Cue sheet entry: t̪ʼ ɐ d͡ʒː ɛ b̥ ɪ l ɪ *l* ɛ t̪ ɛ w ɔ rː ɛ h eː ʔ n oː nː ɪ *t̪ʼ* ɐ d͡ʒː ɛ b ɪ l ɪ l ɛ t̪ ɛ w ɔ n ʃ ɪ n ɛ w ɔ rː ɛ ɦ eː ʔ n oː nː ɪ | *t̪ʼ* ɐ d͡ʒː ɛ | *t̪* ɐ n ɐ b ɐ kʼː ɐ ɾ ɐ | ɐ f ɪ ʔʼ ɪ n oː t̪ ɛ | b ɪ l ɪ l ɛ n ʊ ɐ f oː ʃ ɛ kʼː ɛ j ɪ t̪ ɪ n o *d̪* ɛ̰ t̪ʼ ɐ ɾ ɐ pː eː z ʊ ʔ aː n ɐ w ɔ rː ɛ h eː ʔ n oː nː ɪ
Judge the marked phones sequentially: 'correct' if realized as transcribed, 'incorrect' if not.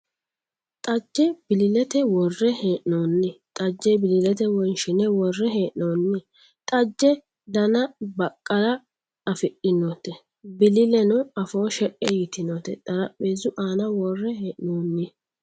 correct, correct, correct, incorrect, incorrect

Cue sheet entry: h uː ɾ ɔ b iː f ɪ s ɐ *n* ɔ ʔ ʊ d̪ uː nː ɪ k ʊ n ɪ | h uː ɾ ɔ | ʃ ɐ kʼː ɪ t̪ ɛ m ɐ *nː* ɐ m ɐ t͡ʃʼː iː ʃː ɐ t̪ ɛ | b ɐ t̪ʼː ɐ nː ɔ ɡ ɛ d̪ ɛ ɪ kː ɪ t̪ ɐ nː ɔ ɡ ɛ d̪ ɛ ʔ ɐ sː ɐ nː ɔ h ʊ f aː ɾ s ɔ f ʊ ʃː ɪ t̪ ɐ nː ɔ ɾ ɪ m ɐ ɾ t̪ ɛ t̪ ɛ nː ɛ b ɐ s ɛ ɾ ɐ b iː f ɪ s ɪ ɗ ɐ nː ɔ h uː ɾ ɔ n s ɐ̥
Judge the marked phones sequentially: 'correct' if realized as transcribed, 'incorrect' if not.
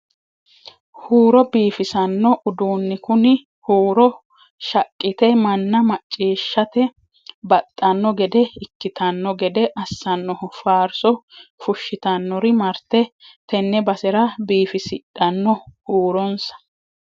incorrect, correct

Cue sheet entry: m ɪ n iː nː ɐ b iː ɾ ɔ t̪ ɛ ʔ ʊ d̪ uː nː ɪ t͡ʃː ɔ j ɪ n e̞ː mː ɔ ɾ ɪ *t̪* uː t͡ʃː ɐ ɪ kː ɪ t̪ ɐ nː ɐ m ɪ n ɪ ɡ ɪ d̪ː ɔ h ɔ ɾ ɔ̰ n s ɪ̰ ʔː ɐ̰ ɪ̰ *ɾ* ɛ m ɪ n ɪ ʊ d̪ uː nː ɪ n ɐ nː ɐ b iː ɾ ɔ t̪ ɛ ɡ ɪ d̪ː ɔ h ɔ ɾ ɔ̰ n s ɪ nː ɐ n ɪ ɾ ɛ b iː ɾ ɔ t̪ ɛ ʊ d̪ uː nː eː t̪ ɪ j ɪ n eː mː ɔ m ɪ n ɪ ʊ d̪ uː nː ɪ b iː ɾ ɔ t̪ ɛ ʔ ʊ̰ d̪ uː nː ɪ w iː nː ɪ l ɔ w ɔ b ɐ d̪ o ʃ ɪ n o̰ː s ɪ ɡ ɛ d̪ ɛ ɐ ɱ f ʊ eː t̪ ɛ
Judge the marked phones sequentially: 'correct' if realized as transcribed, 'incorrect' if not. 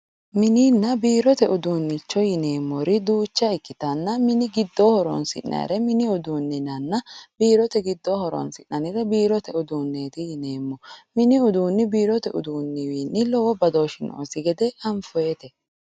incorrect, correct

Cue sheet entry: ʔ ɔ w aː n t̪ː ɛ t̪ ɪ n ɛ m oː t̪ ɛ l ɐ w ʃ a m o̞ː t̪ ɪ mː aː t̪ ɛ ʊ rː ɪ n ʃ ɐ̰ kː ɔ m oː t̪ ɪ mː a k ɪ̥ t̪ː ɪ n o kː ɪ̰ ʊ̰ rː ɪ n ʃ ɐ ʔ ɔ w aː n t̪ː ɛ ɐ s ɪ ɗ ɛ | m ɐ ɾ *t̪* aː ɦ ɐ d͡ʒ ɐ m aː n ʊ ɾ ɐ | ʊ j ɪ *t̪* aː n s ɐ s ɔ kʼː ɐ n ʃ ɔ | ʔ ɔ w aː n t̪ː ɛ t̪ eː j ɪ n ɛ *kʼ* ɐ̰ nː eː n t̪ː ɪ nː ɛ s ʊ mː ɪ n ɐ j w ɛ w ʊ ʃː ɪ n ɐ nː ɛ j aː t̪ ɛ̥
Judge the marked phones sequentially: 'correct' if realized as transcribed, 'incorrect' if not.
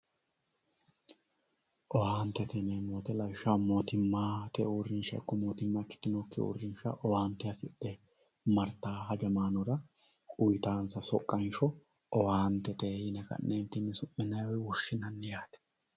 correct, correct, incorrect

